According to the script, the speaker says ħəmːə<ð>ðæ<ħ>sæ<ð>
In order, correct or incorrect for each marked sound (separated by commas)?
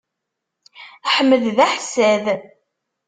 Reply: correct, correct, correct